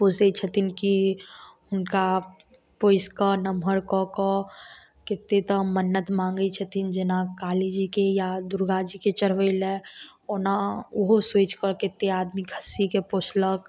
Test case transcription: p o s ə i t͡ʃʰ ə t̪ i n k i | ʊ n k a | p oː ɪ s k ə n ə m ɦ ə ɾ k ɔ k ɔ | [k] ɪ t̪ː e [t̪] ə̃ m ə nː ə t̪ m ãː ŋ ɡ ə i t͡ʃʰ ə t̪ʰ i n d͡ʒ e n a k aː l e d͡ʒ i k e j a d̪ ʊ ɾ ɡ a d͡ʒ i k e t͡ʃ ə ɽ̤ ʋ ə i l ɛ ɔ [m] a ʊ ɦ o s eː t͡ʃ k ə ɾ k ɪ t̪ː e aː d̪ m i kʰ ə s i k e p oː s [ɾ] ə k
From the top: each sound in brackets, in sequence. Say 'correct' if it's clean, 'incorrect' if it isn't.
correct, correct, incorrect: n, incorrect: l

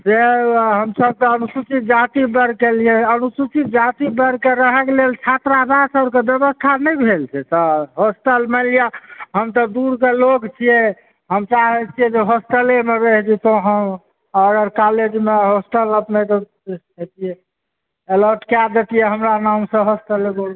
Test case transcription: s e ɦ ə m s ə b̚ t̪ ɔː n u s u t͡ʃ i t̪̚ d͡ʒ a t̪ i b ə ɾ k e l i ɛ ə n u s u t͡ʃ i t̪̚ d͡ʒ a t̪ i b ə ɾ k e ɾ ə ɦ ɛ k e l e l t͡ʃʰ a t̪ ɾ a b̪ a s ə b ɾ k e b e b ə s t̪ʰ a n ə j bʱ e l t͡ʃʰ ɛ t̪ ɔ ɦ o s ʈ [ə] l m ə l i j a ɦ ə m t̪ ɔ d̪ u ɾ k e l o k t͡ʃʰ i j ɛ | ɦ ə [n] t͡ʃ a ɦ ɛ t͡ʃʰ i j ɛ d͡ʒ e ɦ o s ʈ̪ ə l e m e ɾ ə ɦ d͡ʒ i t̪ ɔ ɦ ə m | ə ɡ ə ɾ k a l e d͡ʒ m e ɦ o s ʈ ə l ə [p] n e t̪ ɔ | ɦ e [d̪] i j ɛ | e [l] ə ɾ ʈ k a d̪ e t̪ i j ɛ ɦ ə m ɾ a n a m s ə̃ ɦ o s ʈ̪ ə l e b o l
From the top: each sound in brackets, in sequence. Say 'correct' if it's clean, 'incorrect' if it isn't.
correct, incorrect: m, correct, incorrect: t̪, correct

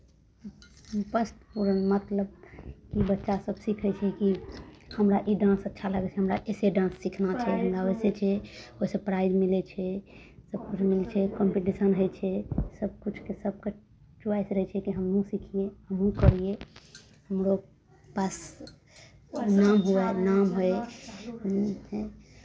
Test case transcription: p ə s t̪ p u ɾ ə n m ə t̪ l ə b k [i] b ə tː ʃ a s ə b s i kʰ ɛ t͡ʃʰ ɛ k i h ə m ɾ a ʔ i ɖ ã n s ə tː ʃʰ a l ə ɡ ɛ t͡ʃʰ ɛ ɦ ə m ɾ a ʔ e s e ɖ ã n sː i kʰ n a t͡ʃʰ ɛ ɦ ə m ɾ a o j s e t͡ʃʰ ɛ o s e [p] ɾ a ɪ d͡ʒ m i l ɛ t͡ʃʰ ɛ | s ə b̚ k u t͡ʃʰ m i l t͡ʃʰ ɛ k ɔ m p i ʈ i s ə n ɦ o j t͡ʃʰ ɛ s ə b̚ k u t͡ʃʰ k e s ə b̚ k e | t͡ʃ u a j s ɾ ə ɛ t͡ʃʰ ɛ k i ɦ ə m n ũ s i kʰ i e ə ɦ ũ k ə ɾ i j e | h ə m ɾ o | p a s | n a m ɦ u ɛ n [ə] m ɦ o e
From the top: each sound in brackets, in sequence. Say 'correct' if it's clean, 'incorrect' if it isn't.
correct, correct, incorrect: a

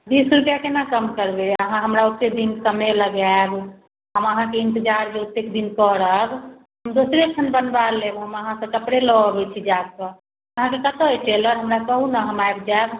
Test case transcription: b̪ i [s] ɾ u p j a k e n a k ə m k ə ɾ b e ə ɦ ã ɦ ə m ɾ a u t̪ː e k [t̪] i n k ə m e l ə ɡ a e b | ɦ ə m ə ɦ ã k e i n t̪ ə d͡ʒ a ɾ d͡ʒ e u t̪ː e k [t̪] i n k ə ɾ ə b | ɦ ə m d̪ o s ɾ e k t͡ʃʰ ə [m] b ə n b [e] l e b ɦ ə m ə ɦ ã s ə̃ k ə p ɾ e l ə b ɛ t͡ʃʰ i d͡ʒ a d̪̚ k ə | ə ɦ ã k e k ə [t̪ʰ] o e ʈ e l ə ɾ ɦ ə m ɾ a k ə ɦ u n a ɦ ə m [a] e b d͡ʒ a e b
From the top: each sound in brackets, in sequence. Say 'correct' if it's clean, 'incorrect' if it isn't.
correct, incorrect: d̪, incorrect: d̪, incorrect: n, incorrect: a, incorrect: t̪, correct

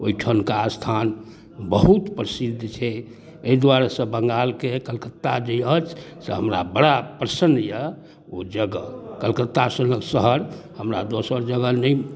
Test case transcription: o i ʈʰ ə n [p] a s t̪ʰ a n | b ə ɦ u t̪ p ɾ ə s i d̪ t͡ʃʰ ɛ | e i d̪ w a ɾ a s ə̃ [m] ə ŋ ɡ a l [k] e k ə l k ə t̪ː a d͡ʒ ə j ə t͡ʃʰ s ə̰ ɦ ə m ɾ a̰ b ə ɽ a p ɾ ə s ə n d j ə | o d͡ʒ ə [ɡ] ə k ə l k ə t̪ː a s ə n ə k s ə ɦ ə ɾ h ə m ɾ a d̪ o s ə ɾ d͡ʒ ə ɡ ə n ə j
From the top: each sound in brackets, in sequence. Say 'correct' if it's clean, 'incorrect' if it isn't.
incorrect: k, incorrect: b, correct, correct

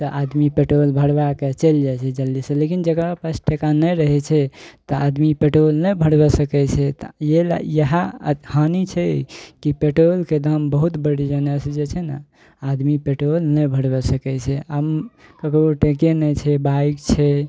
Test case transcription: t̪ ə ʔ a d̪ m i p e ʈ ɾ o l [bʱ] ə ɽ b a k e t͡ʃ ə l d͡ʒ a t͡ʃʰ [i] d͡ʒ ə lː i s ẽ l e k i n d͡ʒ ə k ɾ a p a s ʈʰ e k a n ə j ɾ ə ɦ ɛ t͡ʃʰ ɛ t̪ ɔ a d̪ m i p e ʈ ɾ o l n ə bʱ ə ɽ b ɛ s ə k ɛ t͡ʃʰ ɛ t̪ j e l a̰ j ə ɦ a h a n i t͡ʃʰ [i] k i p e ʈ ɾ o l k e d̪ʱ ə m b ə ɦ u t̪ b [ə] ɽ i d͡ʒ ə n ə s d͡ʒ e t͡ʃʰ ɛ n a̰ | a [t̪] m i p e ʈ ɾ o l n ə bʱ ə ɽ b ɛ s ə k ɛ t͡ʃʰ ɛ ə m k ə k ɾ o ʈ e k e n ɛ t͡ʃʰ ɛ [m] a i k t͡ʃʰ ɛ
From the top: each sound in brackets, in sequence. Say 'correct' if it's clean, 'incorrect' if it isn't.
correct, incorrect: ɛ, incorrect: ɛ, correct, incorrect: d̪, incorrect: b

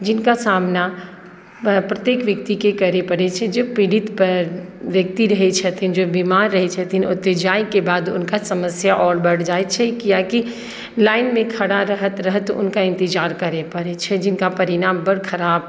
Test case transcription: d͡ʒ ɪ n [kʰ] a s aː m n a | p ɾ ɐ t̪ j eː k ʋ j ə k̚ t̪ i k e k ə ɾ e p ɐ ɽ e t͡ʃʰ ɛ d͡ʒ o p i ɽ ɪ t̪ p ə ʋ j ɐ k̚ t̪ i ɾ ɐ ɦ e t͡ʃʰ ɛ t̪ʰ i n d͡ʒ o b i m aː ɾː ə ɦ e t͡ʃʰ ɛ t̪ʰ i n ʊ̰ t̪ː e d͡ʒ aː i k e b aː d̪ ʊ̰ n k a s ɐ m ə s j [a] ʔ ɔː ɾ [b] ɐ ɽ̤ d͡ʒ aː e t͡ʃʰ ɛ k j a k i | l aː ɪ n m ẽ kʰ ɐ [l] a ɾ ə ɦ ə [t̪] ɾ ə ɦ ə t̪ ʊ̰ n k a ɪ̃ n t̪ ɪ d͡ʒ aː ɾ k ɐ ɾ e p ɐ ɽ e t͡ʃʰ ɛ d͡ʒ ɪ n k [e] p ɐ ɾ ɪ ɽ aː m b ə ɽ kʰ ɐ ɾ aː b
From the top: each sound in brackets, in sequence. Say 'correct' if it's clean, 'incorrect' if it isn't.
incorrect: k, correct, correct, incorrect: ɽ, correct, incorrect: a

